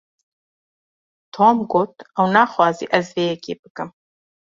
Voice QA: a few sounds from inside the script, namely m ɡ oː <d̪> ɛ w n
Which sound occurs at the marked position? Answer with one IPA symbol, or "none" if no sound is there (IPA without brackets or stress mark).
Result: t̪